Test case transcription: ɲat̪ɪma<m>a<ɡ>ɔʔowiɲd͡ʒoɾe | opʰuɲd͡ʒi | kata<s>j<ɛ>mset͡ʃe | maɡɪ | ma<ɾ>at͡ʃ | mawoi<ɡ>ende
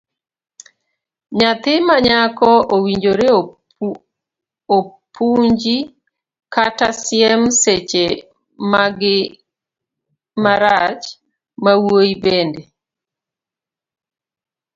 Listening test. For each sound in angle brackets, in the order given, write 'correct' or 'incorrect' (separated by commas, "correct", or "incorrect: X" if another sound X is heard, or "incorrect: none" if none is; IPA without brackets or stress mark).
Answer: incorrect: ɲ, incorrect: k, correct, correct, correct, incorrect: b